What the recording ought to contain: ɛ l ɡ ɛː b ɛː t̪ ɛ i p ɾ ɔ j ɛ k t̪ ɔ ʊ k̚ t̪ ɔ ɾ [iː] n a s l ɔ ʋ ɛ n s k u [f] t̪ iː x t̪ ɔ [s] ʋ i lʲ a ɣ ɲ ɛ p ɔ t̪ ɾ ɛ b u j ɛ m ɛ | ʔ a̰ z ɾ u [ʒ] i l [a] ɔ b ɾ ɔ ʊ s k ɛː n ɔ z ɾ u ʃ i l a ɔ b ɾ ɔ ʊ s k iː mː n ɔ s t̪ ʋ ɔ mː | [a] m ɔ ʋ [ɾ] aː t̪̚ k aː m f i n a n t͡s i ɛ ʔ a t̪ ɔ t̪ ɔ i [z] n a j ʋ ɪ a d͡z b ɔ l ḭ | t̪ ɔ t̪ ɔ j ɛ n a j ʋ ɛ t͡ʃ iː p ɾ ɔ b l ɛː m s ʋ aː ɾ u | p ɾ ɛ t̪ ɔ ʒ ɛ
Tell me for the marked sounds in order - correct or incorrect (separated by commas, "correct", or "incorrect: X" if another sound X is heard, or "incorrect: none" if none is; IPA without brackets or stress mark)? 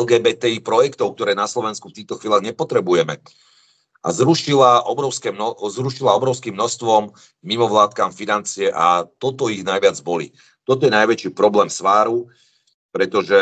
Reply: incorrect: ɛː, correct, incorrect: x, incorrect: ʃ, correct, incorrect: i, incorrect: l, incorrect: ɣ